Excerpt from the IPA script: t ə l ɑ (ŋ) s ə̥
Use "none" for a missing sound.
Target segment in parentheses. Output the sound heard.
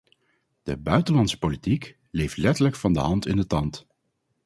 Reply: n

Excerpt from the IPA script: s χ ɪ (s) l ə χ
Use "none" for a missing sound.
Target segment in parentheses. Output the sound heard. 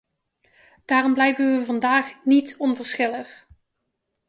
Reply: none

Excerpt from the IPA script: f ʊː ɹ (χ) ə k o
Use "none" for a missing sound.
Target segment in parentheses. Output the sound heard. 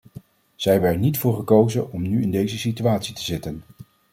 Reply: χ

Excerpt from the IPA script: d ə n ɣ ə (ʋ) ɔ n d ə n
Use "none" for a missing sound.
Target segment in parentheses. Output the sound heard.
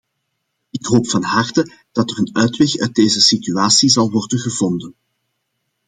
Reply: v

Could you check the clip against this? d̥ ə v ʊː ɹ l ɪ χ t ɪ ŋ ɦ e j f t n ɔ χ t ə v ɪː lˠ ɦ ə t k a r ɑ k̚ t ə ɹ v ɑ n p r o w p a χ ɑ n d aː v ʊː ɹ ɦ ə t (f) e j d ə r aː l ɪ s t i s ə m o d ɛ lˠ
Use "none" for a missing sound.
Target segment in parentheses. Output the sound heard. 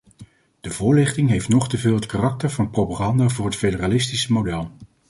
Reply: f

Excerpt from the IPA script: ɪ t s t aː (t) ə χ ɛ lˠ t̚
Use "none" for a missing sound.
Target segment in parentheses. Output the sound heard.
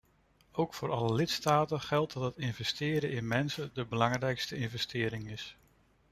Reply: t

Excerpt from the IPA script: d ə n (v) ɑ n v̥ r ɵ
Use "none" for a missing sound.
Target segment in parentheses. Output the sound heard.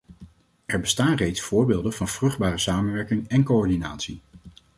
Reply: v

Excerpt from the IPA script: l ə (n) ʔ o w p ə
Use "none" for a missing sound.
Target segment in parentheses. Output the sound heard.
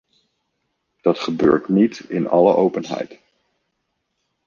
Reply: none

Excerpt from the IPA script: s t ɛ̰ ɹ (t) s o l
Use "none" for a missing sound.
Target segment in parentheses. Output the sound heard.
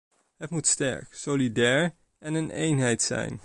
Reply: k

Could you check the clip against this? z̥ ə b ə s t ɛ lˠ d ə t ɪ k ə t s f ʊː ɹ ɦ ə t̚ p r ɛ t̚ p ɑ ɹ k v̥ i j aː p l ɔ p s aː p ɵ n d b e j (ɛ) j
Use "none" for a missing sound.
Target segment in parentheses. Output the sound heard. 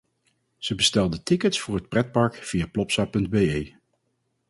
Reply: e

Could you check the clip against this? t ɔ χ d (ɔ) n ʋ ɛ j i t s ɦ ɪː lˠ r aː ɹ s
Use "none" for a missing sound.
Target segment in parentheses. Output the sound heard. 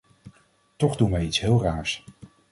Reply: u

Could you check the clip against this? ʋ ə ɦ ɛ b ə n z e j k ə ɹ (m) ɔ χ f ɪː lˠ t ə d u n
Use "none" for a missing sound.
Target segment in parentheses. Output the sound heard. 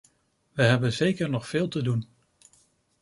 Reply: n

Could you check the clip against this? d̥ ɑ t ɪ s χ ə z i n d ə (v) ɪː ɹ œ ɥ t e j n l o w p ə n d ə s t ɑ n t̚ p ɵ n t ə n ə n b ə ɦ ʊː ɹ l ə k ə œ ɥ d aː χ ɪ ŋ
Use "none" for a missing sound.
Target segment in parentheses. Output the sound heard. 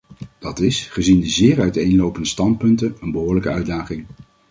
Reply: z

